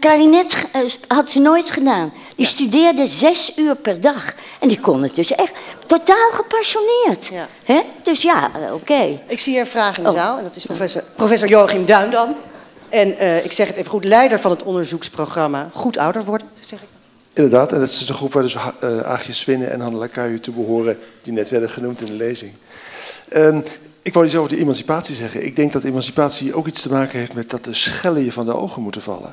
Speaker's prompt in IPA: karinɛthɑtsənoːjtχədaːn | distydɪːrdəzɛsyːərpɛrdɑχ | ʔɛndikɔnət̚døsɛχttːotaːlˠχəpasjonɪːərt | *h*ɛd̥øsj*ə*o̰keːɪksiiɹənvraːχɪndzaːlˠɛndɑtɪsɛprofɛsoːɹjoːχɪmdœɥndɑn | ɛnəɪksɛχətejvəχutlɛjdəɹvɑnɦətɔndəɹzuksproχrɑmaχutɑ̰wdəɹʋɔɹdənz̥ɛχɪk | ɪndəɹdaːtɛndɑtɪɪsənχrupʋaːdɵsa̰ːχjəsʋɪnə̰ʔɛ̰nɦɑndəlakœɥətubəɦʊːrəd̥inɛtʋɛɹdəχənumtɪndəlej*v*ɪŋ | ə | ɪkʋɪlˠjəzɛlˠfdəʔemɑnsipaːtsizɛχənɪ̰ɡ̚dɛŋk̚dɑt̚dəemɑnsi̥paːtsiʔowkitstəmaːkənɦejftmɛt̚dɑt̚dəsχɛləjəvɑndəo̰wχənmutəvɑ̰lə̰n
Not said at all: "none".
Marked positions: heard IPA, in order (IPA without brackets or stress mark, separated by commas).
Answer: h, a, z